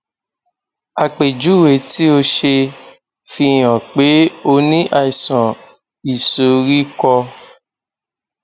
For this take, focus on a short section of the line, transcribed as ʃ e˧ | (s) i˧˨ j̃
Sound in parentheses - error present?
yes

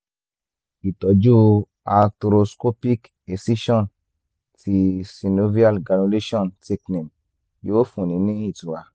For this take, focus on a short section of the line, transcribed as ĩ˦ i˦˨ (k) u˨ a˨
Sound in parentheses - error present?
yes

